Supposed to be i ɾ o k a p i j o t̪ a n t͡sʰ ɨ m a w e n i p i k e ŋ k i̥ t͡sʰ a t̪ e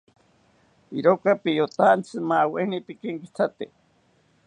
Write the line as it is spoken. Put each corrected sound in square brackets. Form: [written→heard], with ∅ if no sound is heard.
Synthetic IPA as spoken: i ɾ o k a p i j o t̪ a n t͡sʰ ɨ m a w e n i p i k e ŋ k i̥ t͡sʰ a t̪ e